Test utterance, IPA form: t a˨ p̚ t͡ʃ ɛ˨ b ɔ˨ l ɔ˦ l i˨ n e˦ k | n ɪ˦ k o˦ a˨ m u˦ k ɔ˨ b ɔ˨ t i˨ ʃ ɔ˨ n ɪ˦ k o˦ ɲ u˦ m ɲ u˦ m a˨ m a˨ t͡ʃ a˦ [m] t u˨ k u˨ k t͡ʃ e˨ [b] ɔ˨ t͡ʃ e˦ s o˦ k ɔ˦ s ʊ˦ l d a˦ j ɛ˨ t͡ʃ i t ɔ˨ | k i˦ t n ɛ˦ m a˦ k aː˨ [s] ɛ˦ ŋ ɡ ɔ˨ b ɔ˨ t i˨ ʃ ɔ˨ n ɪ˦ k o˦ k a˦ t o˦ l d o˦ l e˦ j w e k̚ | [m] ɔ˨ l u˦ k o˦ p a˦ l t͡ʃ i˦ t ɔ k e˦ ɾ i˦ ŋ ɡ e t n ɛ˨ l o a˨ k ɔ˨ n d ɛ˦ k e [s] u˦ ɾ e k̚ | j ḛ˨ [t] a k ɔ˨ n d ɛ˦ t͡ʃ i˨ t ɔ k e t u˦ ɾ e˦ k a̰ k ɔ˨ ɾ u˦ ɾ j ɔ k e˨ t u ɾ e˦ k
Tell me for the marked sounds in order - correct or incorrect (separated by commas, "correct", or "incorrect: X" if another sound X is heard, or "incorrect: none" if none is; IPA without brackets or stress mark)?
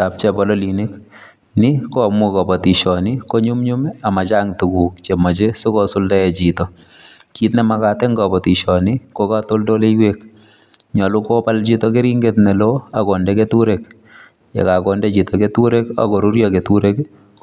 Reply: incorrect: ŋ, incorrect: m, incorrect: t, incorrect: ɲ, incorrect: t, incorrect: k